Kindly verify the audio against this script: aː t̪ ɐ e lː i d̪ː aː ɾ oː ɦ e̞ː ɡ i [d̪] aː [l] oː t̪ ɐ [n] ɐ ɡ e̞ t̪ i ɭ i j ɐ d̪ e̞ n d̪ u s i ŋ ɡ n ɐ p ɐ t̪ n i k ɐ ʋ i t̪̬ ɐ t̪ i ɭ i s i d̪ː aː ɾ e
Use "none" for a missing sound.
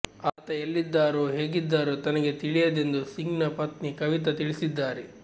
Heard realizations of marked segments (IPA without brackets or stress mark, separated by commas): d̪ː, ɾ, n